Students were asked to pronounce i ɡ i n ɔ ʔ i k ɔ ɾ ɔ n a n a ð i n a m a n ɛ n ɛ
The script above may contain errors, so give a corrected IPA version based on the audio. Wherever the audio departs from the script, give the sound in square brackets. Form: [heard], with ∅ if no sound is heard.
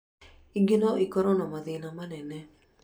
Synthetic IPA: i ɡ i n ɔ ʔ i k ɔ ɾ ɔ n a [m] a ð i n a m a n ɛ n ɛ